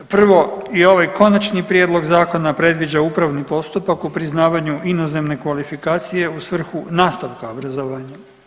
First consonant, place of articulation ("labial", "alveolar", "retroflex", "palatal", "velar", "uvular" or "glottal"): labial